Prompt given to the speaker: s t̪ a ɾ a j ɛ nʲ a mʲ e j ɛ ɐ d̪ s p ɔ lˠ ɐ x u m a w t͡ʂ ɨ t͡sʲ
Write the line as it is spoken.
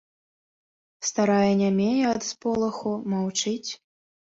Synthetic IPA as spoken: s t̪ a ɾ a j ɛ nʲ a mʲ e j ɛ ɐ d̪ s p ɔ lˠ ɐ x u m a w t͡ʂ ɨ t͡sʲ